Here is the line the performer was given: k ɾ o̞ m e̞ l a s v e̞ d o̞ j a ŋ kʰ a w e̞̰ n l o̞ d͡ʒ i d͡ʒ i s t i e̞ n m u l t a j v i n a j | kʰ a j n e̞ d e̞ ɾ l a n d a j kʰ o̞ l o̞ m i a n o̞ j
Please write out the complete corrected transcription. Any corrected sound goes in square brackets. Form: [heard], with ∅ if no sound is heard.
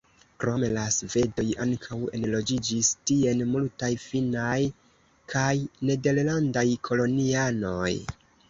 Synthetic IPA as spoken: k ɾ o̞ m e̞ l a s v e̞ d o̞ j a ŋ kʰ a w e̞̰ n l o̞ d͡ʒ i d͡ʒ i s t i e̞ n m u l t a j [f] i n a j | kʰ a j n e̞ d e̞ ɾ l a n d a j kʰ o̞ l o̞ [n] i a n o̞ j